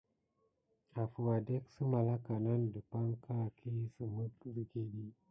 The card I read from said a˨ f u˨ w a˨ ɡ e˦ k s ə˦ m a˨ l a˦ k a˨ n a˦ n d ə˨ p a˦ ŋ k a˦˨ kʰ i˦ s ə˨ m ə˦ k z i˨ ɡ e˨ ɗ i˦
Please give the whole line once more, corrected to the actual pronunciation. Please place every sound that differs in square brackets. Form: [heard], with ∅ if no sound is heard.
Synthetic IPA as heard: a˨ f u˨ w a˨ [d] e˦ k s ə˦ m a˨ l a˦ k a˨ n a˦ n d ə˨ p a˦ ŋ k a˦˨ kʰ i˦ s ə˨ m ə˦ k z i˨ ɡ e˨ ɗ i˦